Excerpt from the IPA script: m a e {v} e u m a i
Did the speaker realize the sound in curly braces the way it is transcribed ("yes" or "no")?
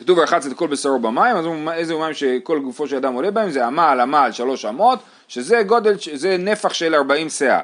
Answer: no